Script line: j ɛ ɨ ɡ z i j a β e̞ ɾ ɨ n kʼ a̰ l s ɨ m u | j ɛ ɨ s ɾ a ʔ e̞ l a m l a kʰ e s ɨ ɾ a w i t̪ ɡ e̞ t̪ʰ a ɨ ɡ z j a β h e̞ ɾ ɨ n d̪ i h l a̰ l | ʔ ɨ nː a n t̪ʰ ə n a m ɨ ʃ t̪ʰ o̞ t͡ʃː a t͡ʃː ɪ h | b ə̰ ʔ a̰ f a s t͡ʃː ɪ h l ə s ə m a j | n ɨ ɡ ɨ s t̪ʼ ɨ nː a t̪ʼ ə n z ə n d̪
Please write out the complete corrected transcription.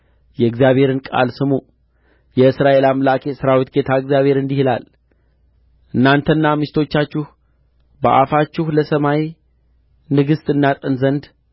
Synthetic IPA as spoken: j ɛ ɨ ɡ z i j a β e̞ ɾ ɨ n kʼ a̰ l s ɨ m u | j ɛ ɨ s ɾ a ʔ e̞ l a m l a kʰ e s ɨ ɾ a w i t̪ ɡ e̞ t̪ʰ a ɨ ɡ z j a β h e̞ ɾ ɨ n d̪ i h l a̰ l | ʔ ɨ nː a n t̪ʰ ə nː a m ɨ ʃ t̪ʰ o̞ t͡ʃː a t͡ʃː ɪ h | b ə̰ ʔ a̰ f a t͡ʃː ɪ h l ə s ə m a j | n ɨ ɡ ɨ s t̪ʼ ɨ nː a t̪ʼ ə n z ə n d̪